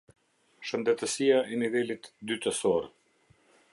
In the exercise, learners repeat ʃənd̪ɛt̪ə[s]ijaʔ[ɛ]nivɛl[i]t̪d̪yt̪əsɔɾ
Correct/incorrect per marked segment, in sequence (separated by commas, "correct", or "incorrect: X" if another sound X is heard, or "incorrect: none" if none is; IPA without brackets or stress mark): correct, correct, correct